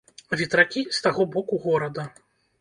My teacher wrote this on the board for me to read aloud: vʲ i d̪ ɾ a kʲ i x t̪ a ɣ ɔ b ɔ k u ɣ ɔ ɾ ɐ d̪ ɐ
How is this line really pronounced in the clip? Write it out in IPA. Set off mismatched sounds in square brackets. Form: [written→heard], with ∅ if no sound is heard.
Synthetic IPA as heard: vʲ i [d̪→t̪] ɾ a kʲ i [x→s] t̪ a ɣ ɔ b ɔ k u ɣ ɔ ɾ ɐ d̪ ɐ